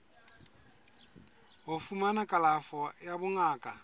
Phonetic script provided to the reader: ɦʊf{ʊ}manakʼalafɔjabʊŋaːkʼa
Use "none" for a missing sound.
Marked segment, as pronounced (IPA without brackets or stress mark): u